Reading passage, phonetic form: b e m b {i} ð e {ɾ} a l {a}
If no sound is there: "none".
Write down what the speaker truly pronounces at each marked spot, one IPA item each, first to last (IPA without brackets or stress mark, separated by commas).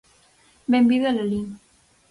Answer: i, l, i